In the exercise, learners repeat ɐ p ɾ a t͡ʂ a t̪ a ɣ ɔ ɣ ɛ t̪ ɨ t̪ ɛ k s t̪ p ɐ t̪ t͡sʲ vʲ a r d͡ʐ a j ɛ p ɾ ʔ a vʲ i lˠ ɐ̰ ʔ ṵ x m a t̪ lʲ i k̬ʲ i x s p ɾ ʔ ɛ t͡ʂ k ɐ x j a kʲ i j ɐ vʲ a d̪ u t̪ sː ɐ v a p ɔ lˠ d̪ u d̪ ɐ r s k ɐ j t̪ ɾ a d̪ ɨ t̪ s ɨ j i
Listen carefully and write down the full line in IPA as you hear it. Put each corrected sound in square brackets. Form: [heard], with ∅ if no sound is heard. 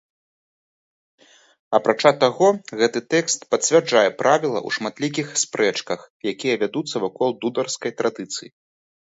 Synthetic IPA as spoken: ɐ p ɾ a t͡ʂ a t̪ a ɣ ɔ ɣ ɛ t̪ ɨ t̪ ɛ k s t̪ p ɐ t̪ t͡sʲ vʲ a r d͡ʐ a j ɛ p ɾ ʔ a vʲ i lˠ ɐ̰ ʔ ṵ [ʂ] m a t̪ lʲ i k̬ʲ i x s p ɾ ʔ ɛ t͡ʂ k ɐ x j a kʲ i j ɐ vʲ a d̪ u t̪ sː ɐ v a [k] ɔ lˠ d̪ u d̪ ɐ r s k ɐ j t̪ ɾ a d̪ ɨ t̪ s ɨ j i